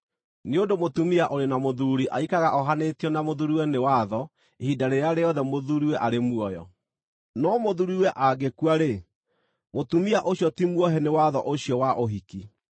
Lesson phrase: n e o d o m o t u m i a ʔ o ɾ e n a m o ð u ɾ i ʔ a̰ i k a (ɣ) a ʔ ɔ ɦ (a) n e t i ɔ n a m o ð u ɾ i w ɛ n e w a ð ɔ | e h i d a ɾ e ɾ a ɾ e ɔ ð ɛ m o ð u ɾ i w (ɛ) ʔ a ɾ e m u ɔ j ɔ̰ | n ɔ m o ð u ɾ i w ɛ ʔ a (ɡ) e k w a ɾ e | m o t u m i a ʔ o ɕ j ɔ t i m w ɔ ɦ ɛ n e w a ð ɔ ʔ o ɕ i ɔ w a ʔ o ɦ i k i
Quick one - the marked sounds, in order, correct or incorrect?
correct, correct, correct, correct

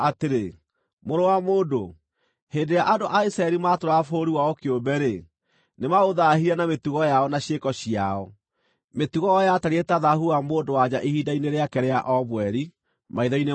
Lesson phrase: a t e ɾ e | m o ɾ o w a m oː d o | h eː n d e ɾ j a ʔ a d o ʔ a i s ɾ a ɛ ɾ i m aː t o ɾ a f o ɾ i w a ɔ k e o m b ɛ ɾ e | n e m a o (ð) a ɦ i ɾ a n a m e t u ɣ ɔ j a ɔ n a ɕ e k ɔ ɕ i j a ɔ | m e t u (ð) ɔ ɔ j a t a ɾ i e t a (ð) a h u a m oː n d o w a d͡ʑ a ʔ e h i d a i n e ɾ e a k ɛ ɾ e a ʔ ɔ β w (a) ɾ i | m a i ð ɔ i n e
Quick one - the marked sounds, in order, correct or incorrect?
correct, incorrect: ɣ, correct, incorrect: ɛ

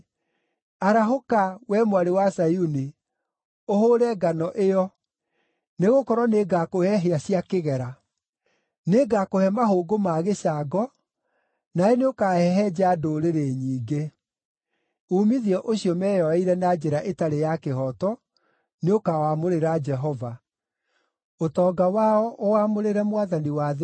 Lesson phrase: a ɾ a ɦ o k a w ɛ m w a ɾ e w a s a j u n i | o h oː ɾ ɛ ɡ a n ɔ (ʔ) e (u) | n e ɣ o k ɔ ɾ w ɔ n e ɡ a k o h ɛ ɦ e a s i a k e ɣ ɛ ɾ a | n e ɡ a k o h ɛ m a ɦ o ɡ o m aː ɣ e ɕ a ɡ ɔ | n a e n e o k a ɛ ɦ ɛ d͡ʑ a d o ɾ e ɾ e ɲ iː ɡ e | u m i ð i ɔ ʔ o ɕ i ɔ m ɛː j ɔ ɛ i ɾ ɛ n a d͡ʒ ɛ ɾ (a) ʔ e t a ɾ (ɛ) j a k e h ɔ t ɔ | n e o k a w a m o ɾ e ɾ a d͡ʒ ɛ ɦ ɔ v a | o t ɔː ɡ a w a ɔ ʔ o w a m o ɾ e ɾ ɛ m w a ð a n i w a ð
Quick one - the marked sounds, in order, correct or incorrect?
correct, incorrect: ɔ, correct, incorrect: e

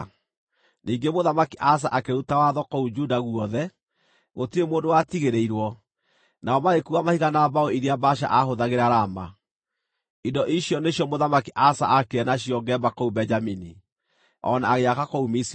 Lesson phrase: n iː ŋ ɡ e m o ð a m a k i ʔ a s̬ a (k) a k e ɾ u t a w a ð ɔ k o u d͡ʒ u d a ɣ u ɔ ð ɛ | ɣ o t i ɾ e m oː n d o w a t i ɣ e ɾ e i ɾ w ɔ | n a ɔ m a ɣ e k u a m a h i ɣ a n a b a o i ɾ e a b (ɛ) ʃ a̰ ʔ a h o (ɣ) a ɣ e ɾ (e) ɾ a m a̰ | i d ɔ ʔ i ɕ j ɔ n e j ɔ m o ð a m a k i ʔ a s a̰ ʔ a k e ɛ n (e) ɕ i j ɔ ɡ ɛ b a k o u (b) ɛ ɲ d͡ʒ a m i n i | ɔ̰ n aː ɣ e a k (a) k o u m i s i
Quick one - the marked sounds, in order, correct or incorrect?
incorrect: ʔ, incorrect: a, incorrect: ð, incorrect: a, incorrect: a, correct, correct

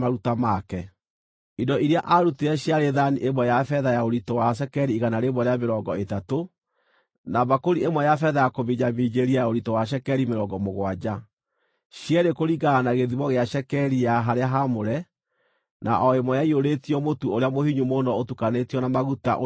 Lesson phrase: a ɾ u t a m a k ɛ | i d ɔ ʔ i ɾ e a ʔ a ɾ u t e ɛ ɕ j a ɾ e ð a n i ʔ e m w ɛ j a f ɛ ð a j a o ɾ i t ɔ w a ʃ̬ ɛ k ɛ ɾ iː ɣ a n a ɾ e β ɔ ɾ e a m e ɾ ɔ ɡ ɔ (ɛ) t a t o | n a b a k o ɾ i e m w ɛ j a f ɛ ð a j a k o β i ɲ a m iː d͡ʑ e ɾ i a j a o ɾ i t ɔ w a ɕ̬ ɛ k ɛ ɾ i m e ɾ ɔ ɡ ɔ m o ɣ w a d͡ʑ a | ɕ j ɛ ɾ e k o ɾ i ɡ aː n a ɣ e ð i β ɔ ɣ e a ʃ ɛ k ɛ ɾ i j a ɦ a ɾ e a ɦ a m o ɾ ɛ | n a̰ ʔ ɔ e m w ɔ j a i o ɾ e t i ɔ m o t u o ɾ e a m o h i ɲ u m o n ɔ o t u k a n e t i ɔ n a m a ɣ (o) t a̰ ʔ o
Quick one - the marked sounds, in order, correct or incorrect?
incorrect: e, incorrect: u

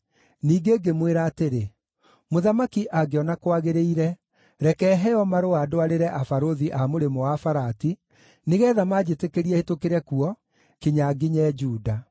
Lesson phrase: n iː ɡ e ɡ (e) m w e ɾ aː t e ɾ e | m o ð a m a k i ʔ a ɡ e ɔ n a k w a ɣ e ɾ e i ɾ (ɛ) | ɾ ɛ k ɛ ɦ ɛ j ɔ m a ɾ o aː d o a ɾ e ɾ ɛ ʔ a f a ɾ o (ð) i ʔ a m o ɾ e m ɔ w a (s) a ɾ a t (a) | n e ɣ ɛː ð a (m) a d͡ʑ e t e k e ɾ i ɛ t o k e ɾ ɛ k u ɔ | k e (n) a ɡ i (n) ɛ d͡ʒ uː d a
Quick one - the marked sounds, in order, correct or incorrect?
correct, correct, correct, incorrect: f, incorrect: i, correct, incorrect: ɲ, incorrect: ɲ

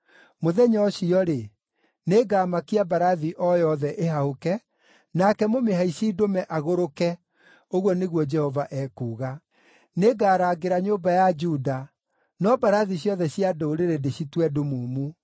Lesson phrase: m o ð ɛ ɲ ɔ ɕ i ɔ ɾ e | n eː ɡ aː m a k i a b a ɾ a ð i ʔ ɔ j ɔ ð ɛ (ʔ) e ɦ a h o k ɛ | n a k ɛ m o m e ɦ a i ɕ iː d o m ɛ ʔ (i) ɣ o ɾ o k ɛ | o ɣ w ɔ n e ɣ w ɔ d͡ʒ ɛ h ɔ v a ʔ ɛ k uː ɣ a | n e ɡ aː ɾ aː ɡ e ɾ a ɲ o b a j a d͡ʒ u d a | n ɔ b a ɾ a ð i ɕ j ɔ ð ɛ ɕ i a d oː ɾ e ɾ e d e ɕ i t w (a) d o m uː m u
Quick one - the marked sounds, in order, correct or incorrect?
correct, incorrect: a, incorrect: ɛ

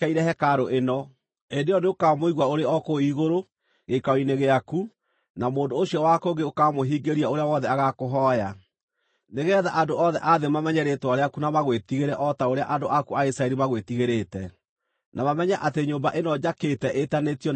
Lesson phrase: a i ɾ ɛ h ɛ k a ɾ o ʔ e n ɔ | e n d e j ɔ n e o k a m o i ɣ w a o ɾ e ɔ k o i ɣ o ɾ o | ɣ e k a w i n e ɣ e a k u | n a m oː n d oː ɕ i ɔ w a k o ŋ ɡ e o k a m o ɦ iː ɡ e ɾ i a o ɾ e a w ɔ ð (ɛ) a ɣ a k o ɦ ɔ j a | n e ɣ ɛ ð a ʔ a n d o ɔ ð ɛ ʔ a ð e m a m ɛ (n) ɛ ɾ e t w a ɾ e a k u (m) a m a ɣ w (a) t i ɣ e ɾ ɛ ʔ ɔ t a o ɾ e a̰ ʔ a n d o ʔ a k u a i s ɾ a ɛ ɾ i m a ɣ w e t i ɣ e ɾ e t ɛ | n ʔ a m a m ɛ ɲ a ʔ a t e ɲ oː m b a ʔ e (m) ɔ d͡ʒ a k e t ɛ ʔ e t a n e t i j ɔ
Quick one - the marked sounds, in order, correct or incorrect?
correct, incorrect: ɲ, incorrect: n, incorrect: e, incorrect: n

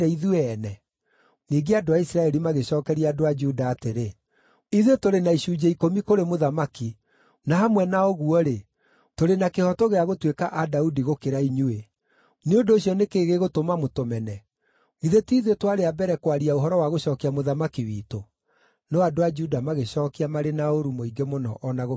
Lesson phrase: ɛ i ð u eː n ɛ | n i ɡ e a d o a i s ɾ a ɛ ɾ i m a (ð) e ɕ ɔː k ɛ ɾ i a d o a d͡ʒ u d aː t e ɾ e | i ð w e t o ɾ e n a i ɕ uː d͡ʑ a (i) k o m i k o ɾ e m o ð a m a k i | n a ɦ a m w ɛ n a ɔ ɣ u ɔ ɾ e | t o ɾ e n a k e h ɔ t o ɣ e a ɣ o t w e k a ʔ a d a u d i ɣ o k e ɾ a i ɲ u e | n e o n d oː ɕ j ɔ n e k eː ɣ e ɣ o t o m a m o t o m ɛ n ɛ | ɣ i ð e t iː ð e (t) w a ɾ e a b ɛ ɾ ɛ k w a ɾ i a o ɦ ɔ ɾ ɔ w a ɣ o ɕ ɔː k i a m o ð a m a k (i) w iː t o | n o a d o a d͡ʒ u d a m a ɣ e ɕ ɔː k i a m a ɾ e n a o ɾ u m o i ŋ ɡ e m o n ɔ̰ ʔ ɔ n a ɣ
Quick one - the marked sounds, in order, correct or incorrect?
incorrect: ɣ, correct, correct, correct

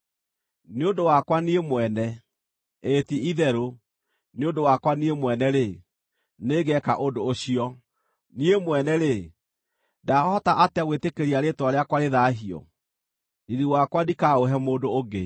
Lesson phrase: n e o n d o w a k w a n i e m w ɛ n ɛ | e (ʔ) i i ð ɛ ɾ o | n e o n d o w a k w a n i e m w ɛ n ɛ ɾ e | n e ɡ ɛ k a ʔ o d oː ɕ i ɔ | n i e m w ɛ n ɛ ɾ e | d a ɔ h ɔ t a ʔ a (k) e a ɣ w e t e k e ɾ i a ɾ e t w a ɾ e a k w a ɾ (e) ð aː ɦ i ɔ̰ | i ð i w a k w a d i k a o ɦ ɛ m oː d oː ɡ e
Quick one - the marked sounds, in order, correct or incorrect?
incorrect: t, incorrect: t, correct

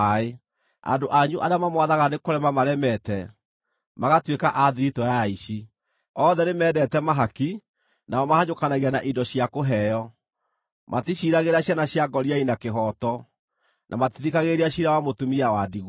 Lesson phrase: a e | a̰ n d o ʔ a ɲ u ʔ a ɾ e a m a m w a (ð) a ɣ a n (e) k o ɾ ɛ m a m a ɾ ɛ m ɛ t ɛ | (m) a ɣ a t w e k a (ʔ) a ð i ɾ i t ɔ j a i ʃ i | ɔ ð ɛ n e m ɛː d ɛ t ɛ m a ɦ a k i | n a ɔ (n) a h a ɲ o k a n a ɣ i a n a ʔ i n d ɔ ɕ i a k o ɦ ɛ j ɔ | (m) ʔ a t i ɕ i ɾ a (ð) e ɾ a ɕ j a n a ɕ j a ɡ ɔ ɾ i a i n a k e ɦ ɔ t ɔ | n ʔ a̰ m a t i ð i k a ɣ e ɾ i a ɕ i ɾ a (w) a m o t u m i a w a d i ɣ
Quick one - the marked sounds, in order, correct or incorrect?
correct, correct, correct, correct, incorrect: m, correct, incorrect: ɣ, correct

